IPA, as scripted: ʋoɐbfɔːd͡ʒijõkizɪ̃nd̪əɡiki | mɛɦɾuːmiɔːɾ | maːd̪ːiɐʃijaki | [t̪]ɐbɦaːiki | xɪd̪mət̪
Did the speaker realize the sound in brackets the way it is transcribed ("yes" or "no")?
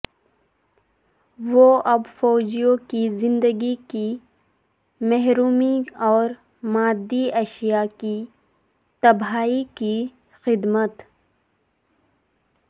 yes